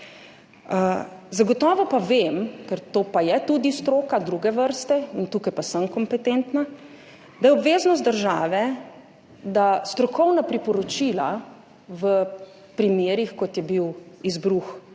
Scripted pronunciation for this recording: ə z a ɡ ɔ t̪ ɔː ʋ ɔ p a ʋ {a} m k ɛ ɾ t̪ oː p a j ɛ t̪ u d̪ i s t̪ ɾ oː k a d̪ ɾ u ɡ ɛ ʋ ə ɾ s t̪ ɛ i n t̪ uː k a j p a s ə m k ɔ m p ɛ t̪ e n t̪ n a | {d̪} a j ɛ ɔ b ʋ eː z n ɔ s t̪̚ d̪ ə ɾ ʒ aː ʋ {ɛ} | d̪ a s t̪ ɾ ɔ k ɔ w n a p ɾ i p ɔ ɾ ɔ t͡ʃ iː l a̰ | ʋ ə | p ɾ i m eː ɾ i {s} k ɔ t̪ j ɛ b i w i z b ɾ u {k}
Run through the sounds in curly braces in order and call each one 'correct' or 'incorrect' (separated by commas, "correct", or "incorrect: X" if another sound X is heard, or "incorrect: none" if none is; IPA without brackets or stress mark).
incorrect: e, correct, correct, incorrect: x, incorrect: x